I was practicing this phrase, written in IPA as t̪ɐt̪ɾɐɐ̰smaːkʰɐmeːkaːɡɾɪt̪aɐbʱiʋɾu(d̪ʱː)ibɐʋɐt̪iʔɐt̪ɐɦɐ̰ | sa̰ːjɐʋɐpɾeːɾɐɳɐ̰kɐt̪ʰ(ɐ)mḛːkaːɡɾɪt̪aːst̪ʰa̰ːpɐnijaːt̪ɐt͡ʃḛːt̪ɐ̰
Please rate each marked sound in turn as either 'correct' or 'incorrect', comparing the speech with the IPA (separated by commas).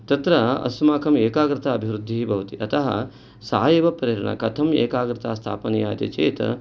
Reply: correct, correct